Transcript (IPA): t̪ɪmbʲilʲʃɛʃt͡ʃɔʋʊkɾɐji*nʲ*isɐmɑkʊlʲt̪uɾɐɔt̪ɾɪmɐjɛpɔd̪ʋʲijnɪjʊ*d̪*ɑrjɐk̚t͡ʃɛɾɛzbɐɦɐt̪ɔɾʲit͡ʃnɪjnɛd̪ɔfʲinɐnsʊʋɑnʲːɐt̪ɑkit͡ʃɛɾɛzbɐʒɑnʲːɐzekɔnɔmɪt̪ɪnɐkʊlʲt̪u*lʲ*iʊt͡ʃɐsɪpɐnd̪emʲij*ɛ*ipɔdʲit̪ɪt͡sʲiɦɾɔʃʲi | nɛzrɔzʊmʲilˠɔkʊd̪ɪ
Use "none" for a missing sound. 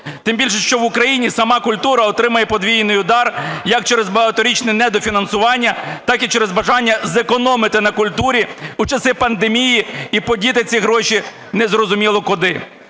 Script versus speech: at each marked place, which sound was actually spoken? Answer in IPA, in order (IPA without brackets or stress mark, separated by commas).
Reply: nʲ, d̪, ɾʲ, i